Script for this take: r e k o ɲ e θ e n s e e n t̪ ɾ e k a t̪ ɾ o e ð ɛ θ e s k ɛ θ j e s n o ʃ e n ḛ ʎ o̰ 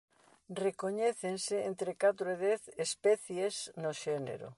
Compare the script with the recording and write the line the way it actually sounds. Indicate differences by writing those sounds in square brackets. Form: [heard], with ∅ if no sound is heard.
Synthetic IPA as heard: r e k o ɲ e θ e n s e e n t̪ ɾ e k a t̪ ɾ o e ð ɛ θ e s [p] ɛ θ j e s n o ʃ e n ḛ [ɾ] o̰

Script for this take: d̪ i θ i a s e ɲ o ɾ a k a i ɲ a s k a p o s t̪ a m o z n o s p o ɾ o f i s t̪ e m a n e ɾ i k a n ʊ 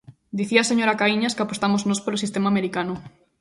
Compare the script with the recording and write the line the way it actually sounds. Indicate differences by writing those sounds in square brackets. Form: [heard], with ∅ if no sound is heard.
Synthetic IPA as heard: d̪ i θ i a s e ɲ o ɾ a k a i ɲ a s k a p o s t̪ a m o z n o s p o ɾ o [s] i s t̪ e m a [m] e ɾ i k a n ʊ

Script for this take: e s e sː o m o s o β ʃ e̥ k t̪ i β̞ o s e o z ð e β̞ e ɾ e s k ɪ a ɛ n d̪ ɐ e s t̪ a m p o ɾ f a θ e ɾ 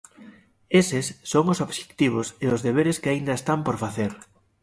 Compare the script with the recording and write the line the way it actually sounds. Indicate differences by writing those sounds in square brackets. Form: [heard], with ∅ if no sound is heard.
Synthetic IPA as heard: e s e sː o [ŋ] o s o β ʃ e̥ k t̪ i β̞ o s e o z ð e β̞ e ɾ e s k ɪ a [i] n d̪ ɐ e s t̪ a m p o ɾ f a θ e ɾ

